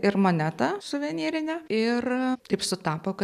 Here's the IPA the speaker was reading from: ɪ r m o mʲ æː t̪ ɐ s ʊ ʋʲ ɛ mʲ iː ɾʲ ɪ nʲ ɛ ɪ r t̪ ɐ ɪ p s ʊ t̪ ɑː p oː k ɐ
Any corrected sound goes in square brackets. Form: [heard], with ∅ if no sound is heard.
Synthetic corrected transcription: ɪ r m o [nʲ] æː t̪ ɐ s ʊ ʋʲ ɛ [nʲ] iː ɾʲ ɪ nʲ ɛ ɪ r t̪ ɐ ɪ p s ʊ t̪ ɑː p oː k ɐ